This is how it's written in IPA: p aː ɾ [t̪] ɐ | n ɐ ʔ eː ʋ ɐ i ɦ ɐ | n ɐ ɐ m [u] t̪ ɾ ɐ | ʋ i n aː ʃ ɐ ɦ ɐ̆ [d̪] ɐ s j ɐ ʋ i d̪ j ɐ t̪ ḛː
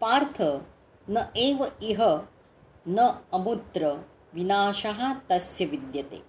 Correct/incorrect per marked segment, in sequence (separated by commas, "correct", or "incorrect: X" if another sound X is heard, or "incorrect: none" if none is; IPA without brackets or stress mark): incorrect: t̪ʰ, correct, incorrect: t̪